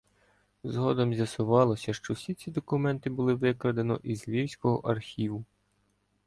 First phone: z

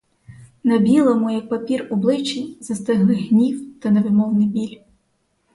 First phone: n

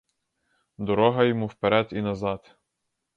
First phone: d̪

